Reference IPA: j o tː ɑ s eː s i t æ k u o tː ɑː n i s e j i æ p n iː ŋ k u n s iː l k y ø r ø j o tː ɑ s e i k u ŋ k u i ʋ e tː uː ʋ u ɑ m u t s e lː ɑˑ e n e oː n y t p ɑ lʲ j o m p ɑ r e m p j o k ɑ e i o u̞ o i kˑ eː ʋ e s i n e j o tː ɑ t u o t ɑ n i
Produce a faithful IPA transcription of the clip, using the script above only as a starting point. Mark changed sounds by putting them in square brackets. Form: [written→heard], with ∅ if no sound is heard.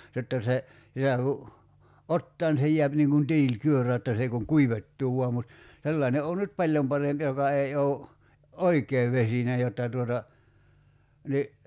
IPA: j o tː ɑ s [eː→e] s i t æ k u o tː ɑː n i s e j i æ p n iː ŋ k u n [s→t] iː l k y ø r ø j o tː ɑ s e i k u ŋ k u i ʋ e tː uː ʋ u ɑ m u t s e lː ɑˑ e n e oː n y t p ɑ lʲ j o m p ɑ r e m p j o k ɑ e i o u̞ o i kˑ eː ʋ e s i n e j o tː ɑ t u o t ɑ n i